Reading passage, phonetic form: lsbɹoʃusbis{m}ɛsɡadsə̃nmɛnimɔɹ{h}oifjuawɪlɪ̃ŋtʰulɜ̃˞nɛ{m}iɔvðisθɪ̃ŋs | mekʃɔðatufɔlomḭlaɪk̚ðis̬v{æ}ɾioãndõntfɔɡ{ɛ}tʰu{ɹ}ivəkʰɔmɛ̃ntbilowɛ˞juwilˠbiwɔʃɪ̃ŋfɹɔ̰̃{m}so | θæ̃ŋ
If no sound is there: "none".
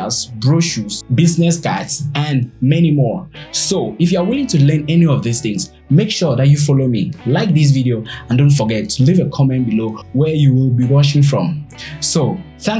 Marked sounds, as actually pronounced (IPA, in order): n, s, n, i, ɛ, l, m

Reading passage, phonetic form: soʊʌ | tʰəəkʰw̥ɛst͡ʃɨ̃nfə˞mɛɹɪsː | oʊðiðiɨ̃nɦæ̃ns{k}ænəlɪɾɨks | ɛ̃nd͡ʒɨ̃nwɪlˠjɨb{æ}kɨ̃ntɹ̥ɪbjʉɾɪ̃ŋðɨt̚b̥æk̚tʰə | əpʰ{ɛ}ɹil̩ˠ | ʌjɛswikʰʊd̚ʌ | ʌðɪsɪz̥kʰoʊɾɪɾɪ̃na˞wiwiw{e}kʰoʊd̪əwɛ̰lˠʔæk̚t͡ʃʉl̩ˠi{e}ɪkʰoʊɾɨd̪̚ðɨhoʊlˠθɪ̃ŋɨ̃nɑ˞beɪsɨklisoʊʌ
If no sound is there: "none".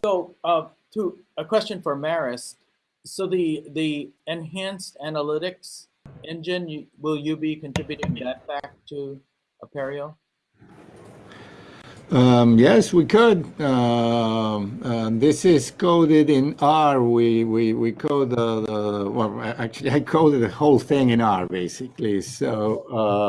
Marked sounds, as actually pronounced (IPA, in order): t, i, ɛ, i, a

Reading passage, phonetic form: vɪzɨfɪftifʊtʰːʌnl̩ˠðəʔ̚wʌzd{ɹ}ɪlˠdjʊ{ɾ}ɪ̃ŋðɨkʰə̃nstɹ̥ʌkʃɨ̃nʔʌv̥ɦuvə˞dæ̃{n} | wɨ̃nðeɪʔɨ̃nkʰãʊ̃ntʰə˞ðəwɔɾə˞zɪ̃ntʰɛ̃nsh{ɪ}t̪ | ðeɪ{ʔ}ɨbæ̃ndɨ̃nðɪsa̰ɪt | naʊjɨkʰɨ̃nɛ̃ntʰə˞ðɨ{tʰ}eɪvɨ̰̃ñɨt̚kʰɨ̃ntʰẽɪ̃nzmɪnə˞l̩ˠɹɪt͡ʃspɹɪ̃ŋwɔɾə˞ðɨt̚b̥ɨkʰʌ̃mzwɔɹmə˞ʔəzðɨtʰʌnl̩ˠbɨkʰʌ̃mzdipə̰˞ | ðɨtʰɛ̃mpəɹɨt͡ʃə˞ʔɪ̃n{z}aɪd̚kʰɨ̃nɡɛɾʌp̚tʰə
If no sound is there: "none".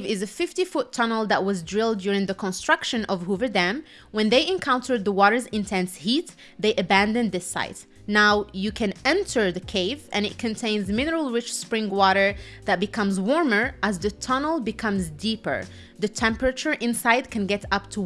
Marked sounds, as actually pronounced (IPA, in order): ɹ, ɹ, m, i, ʔ, kʰ, s

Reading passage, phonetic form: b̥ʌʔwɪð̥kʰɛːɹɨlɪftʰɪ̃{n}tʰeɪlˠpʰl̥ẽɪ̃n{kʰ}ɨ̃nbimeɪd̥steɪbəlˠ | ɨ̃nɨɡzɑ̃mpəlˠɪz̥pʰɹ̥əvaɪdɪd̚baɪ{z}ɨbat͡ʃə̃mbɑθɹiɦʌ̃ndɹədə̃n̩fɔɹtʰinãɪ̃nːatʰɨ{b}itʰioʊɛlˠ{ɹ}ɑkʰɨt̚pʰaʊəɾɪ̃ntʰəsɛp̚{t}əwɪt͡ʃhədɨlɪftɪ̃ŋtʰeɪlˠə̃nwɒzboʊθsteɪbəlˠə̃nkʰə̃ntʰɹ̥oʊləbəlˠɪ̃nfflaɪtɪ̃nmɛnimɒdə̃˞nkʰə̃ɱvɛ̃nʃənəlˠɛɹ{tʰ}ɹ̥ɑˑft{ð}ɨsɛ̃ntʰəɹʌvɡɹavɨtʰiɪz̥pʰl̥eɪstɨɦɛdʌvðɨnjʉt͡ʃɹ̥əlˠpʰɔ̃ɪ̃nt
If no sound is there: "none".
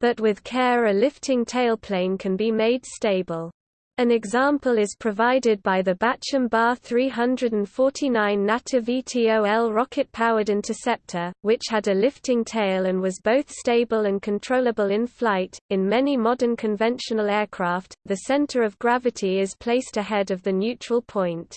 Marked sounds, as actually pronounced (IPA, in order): ŋ, kʰ, ð, v, ɹ, tʰ, kʰ, ð

